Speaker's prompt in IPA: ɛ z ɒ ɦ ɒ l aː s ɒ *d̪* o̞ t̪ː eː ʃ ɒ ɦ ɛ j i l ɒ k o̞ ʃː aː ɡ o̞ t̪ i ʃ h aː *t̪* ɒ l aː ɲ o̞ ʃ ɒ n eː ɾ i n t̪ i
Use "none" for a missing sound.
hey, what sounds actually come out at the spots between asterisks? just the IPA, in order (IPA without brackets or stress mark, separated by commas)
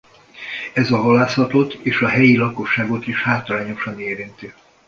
t̪, t̪